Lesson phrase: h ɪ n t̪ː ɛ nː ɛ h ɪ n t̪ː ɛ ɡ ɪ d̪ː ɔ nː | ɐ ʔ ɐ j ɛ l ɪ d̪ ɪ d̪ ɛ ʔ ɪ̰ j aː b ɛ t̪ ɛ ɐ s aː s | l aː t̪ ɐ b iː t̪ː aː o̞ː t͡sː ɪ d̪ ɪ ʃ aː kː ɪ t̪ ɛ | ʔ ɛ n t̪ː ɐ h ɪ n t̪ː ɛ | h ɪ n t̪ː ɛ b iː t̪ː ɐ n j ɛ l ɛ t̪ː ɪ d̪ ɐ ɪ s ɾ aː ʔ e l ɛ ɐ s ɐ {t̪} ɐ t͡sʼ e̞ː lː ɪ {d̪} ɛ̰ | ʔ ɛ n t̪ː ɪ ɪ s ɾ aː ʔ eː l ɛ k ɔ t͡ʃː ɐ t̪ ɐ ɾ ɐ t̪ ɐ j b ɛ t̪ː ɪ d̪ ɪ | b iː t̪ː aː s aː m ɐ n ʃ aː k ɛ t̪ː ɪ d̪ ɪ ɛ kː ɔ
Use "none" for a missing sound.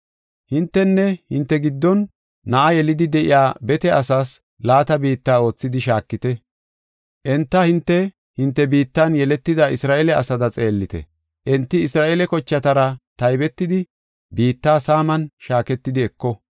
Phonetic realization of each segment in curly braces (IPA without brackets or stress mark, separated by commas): d̪, t̪